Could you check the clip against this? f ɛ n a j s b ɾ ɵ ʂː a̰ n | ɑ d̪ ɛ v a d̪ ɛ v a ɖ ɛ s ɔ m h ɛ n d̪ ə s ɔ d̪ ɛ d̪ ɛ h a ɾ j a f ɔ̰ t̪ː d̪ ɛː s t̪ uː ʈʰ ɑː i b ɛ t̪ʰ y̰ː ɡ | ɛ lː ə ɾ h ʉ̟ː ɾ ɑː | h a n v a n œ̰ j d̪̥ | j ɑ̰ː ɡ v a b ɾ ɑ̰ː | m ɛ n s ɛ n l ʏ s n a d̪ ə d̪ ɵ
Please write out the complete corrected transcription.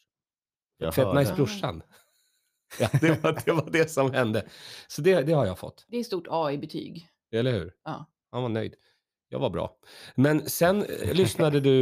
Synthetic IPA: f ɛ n a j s b ɾ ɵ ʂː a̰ n | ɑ d̪ ɛ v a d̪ ɛ v a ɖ ɛ s ɔ m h ɛ n d̪ ə s ɔ d̪ ɛ d̪ ɛ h a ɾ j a f ɔ̰ t̪ː d̪ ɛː s t̪ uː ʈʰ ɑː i b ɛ t̪ʰ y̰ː ɡ | ɛ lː ə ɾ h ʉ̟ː ɾ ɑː | h a n v a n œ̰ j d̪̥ | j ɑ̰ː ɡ v a b ɾ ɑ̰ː | m ɛ n s ɛ n l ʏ s n a d̪ ə d̪ ɵ